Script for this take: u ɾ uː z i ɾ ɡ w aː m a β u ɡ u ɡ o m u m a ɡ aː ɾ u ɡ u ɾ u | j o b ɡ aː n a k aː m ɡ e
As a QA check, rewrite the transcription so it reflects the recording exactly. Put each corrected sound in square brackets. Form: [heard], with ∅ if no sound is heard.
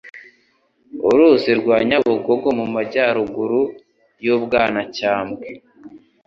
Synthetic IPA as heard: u ɾ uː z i ɾ ɡ w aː [ɲ] a β u ɡ [o] ɡ o m u m a [ɟ] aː ɾ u ɡ u ɾ u | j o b ɡ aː n a [c] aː m ɡ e